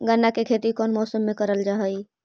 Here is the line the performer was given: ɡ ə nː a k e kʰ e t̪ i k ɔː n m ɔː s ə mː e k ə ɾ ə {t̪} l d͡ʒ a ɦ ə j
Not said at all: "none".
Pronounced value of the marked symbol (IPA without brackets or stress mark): none